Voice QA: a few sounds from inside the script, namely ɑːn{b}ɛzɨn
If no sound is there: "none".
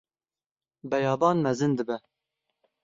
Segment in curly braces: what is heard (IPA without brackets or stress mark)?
m